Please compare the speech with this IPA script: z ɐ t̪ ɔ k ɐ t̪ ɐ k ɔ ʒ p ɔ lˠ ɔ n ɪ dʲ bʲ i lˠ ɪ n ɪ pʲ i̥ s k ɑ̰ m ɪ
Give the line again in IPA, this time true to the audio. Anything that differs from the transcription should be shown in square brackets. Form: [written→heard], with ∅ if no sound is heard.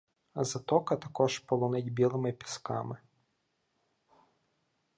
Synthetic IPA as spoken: z ɐ t̪ ɔ k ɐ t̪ ɐ k ɔ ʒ p ɔ lˠ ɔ n ɪ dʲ bʲ i lˠ ɪ [n→m] ɪ pʲ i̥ s k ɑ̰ m ɪ